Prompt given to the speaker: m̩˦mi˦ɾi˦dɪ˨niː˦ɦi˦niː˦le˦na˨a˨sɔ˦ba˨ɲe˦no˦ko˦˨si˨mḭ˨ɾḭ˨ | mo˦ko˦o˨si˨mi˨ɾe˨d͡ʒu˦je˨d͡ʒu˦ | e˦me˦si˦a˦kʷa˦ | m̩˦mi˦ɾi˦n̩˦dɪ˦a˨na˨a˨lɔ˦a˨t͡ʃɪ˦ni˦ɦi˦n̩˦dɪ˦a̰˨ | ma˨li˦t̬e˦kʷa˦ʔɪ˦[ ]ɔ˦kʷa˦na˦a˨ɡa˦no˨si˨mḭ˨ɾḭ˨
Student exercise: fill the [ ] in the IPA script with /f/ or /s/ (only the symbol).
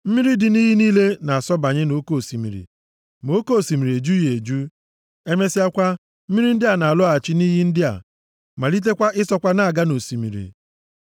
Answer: s